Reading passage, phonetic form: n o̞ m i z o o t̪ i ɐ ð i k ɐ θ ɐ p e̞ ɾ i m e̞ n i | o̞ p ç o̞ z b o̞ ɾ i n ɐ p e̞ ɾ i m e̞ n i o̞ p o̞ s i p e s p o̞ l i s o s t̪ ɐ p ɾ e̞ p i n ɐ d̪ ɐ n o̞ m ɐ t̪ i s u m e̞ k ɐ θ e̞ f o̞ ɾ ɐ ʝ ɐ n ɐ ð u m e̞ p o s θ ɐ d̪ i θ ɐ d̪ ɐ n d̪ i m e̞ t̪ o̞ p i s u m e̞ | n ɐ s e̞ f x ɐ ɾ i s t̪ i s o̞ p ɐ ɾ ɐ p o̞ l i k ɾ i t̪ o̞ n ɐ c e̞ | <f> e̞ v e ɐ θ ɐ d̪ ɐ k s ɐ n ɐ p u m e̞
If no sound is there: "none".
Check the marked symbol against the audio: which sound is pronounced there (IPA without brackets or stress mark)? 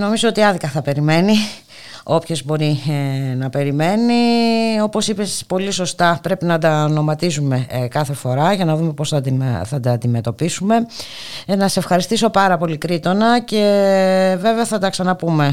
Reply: v